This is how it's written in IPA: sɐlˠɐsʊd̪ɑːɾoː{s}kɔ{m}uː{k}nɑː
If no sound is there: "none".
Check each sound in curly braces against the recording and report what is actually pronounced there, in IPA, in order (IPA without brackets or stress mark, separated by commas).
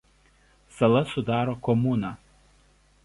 none, m, none